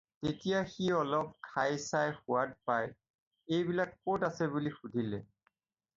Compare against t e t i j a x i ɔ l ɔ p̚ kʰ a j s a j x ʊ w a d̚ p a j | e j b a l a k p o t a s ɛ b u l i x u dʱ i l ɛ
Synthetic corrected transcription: t e t i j a x i ɔ l ɔ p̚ kʰ a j s a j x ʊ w a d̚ p a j | e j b i l a k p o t a s ɛ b u l i x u dʱ i l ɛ